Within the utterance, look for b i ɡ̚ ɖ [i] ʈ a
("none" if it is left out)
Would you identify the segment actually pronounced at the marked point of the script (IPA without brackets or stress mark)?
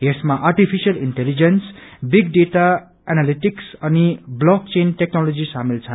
e